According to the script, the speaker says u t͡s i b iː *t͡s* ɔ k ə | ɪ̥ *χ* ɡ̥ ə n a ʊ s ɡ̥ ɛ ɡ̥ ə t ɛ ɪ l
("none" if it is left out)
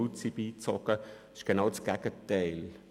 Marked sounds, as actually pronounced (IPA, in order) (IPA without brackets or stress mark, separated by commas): t͡s, ʃ